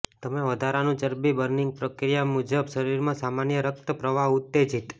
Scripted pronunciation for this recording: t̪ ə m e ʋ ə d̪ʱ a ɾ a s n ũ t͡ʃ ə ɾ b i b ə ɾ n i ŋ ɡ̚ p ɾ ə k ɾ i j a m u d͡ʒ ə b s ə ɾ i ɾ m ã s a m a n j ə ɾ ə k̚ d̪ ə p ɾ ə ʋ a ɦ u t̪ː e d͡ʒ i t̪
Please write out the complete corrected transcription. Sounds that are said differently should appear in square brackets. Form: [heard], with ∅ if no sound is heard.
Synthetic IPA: t̪ ə m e ʋ ə d̪ʱ a ɾ a [∅] n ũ t͡ʃ ə ɾ b i b ə ɾ n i ŋ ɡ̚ p ɾ ə k ɾ i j a m u d͡ʒ ə b [ʃ] ə ɾ i ɾ m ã s a m a n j ə ɾ ə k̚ [t̪] ə p ɾ ə ʋ a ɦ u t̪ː e d͡ʒ i t̪